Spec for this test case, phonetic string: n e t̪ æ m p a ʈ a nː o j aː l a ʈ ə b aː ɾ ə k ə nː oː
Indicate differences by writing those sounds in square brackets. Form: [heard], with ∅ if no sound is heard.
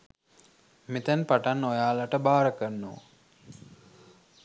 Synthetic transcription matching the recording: [m] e t̪ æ [n] p a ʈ a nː o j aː l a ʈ ə b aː ɾ ə k ə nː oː